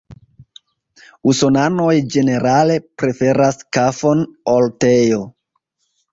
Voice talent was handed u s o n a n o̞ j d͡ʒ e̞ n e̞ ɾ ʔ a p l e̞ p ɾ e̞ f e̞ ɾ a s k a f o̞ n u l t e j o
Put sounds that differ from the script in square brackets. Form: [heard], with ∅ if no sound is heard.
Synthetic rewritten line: u s o n a n o̞ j d͡ʒ e̞ n e̞ ɾ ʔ a [∅] l e̞ p ɾ e̞ f e̞ ɾ a s k a f o̞ n [o] l t e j o